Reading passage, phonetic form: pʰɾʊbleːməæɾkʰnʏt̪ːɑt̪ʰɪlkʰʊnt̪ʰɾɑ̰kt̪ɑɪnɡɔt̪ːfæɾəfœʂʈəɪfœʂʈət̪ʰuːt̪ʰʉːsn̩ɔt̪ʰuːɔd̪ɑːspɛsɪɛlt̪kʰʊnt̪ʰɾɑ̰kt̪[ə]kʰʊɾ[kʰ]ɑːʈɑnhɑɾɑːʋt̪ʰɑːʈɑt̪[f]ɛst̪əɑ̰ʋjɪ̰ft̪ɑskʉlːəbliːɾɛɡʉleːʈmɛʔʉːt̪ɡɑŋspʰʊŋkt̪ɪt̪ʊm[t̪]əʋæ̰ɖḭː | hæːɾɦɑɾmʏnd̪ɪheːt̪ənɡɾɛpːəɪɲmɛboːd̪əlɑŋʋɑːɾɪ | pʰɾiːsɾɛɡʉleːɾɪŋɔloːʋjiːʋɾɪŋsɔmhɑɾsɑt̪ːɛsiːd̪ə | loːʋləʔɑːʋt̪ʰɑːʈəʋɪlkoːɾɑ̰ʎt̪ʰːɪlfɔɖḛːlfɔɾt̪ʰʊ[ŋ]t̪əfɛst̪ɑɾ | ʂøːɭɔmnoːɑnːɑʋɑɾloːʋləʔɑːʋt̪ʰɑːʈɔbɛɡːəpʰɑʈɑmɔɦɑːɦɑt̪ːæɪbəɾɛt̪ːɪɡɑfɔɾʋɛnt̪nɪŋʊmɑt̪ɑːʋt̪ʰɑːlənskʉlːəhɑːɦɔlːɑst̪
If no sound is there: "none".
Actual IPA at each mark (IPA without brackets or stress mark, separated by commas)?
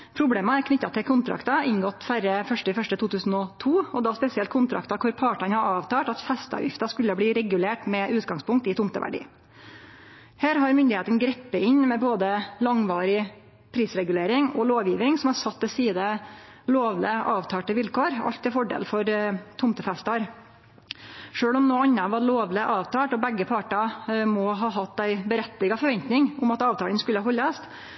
ɑ, pʰ, f, t̪, m